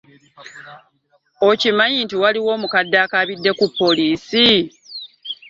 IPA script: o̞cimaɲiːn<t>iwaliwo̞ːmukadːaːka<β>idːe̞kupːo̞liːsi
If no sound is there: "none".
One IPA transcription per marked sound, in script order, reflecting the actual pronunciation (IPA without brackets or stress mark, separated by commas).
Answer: t, β